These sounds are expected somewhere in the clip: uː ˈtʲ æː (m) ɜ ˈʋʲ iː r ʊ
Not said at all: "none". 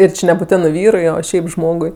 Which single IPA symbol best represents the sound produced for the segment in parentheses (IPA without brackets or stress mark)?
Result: n